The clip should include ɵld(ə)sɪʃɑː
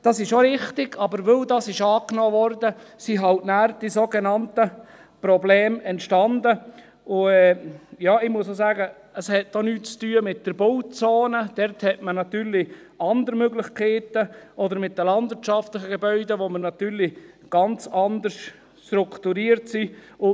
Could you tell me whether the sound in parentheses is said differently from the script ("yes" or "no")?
yes